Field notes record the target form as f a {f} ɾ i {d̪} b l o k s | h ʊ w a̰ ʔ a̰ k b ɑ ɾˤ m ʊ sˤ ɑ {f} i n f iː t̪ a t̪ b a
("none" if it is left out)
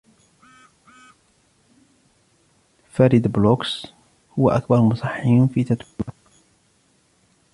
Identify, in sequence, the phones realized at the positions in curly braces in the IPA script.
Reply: none, d̪, ħ

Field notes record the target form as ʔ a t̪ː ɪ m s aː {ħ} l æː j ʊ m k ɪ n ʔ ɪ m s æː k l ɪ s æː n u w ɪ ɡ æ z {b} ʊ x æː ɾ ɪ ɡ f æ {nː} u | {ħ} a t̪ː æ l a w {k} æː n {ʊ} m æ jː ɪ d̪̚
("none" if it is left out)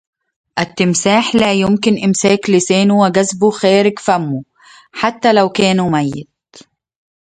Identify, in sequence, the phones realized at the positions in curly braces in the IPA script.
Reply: ħ, b, mː, ħ, k, u

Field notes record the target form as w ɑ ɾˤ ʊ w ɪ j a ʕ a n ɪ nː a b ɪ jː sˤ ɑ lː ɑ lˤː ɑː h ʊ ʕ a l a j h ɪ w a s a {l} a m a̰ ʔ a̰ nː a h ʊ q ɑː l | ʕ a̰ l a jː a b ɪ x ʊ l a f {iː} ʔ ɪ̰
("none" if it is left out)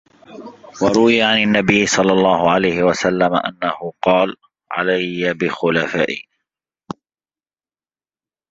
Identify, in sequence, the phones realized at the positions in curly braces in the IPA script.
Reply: lː, aː

